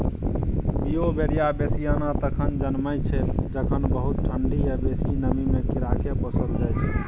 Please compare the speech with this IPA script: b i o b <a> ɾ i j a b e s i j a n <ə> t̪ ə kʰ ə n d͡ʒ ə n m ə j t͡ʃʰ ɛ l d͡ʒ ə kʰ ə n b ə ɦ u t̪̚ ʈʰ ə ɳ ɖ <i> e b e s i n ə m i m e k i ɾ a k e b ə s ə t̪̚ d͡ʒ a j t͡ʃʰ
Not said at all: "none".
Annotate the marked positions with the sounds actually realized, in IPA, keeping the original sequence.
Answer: e, a, i

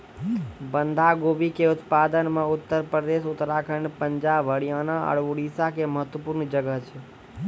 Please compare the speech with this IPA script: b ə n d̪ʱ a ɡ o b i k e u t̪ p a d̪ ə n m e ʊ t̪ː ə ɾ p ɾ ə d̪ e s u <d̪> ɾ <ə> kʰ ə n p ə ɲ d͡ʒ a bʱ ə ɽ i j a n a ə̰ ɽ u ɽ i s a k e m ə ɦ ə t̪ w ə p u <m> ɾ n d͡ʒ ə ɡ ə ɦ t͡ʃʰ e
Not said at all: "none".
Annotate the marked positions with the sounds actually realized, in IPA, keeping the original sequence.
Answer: t̪, a, none

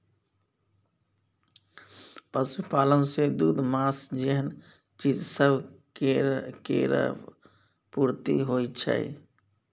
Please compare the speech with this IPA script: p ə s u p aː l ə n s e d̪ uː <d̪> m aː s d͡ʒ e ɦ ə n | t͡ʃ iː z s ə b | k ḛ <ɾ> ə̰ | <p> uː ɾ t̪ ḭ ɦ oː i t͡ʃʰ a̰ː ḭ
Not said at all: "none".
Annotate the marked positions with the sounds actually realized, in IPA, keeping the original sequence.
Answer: d̪, ɾ, p

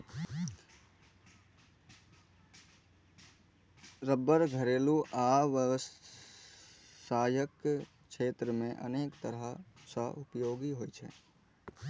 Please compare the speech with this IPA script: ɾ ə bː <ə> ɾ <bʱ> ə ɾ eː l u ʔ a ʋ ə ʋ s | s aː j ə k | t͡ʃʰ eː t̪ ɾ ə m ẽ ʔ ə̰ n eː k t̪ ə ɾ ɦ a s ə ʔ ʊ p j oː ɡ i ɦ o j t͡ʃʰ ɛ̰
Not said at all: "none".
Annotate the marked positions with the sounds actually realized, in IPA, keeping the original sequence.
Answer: ə, ɡʱ

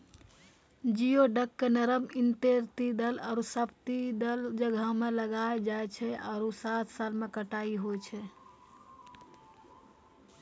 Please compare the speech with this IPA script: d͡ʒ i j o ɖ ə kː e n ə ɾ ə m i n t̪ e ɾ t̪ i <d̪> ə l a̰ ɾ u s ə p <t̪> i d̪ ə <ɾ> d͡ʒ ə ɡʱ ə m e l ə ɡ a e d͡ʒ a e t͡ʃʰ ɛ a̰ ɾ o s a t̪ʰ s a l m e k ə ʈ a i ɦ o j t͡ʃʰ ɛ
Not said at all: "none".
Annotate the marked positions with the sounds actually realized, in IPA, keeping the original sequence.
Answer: d̪, t̪, l

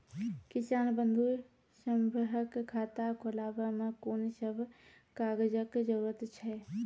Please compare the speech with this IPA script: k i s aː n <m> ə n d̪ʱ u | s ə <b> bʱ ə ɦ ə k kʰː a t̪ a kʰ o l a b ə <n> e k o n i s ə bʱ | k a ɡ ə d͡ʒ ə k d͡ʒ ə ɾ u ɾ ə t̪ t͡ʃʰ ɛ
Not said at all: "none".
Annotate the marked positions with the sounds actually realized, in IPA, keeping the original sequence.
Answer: b, m, m

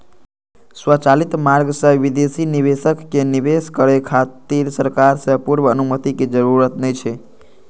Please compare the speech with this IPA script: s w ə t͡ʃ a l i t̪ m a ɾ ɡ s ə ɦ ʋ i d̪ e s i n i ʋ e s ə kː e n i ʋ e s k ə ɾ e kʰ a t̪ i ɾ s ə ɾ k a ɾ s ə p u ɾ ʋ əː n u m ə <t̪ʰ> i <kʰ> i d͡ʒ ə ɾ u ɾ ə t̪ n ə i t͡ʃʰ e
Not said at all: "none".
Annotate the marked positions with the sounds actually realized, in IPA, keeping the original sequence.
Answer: t̪, k

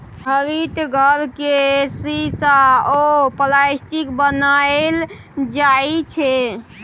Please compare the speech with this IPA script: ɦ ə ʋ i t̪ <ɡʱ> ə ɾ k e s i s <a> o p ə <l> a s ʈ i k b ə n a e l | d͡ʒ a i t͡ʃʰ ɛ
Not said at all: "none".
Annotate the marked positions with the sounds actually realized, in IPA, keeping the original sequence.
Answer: ɡʱ, a, l

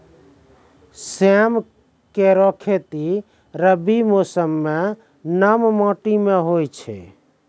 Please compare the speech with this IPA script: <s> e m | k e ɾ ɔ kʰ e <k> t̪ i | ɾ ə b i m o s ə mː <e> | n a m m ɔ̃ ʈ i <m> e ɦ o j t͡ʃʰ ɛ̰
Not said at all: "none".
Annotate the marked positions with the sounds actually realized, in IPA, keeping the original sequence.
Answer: s, none, e, m

